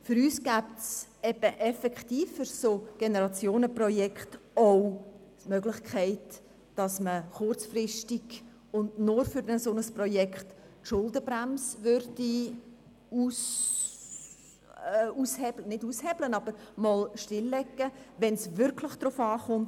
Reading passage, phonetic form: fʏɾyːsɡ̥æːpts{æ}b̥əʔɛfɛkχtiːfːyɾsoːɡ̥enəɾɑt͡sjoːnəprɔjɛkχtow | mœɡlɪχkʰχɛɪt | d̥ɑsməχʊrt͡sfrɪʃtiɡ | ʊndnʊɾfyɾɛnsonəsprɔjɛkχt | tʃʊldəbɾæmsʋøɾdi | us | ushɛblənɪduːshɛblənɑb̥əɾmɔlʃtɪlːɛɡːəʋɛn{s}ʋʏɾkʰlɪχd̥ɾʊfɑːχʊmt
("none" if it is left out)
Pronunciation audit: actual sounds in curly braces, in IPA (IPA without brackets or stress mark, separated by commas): ɛ, s